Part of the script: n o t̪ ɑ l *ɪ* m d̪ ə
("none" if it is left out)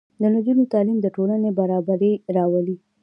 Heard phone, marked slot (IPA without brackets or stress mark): i